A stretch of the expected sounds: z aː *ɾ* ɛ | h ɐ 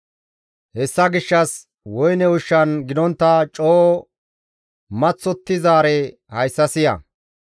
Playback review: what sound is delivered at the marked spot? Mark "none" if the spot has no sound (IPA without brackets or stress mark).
ɾ